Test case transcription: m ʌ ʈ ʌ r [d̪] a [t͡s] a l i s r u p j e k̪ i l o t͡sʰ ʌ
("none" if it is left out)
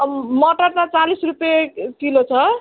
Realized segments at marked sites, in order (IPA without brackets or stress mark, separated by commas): t̪, t͡s